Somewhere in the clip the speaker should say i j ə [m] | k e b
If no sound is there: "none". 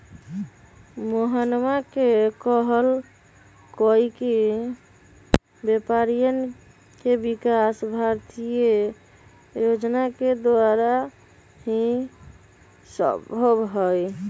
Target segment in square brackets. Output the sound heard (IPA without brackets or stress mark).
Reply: n